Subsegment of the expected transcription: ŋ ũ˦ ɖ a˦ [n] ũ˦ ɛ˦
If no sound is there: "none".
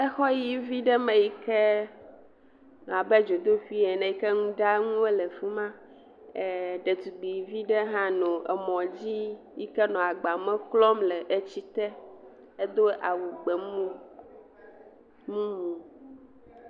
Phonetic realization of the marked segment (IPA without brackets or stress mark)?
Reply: ŋ